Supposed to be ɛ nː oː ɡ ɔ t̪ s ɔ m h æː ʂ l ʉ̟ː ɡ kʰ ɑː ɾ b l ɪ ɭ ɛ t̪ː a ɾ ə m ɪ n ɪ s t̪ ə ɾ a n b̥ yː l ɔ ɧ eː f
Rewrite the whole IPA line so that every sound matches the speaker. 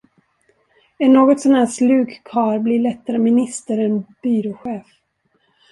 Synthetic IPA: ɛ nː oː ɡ ɔ t̪ s ɔ n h æː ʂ l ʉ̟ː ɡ kʰ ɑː ɾ b l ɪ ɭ ɛ t̪ː a ɾ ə m ɪ n ɪ s t̪ ə ɾ ɛ n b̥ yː ɾ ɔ ɧ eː f